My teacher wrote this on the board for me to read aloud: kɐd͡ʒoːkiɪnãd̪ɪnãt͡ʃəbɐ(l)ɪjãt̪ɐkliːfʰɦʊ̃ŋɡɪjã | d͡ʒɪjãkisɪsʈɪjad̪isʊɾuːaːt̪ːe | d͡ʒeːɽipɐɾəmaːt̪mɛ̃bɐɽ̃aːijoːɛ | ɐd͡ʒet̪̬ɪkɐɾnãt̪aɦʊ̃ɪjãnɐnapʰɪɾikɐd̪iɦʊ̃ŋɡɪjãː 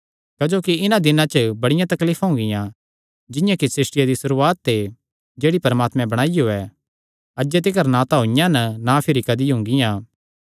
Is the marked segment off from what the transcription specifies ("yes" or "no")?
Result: yes